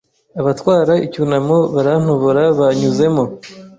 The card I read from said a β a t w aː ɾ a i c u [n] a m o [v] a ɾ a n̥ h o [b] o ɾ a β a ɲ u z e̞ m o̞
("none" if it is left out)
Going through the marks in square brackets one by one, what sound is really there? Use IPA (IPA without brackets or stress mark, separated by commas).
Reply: n, β, β